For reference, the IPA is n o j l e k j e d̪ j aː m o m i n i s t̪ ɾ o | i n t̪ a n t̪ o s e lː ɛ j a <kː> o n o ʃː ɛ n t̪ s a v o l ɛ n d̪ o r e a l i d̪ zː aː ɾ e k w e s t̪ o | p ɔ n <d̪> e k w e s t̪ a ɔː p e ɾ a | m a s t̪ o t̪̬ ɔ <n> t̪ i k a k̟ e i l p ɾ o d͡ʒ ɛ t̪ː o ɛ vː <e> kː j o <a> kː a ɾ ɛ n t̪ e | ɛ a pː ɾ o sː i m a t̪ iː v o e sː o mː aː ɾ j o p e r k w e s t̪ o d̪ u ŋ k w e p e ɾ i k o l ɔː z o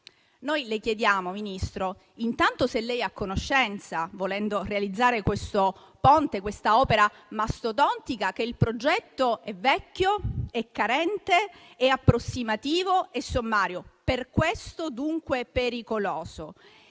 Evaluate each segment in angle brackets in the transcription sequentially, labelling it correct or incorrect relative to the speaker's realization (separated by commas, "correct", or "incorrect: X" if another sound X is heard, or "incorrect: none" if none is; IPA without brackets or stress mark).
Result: correct, incorrect: t̪, correct, incorrect: ɛ, incorrect: ɛ